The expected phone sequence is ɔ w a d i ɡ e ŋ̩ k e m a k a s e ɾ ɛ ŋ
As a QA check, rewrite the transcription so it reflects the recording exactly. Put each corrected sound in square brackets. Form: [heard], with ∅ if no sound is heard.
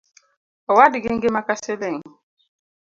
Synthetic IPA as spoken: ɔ w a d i ɡ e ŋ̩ [ɡ] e m a k a s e [l] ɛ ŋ

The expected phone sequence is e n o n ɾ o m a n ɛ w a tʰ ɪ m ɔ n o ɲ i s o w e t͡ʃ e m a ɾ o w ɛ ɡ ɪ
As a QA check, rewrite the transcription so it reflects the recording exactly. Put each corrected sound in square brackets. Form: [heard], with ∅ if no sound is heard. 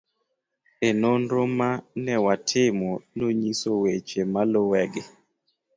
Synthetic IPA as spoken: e n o n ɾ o m a n ɛ w a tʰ ɪ m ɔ n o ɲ i s o w e t͡ʃ e m a [l] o w ɛ ɡ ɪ

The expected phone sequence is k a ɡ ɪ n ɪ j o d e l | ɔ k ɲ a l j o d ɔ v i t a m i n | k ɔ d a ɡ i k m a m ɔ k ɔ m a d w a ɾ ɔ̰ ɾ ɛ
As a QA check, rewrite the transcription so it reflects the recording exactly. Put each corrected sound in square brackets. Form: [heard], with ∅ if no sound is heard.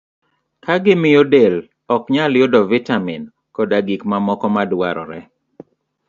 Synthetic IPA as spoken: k a ɡ ɪ [m] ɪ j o d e l | ɔ k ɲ a l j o d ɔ v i t a m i n | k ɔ d a ɡ i k m a m ɔ k ɔ m a d w a ɾ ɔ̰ ɾ ɛ

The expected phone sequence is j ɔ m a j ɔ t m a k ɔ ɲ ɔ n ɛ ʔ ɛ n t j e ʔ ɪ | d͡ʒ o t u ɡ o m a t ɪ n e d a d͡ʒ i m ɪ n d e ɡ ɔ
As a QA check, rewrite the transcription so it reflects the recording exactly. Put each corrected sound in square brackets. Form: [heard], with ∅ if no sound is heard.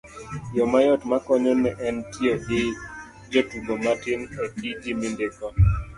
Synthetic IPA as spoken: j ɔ m a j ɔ t m a k ɔ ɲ ɔ n ɛ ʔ ɛ n t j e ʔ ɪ | d͡ʒ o t u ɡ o m a t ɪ n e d [i] d͡ʒ i m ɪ n d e [k] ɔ

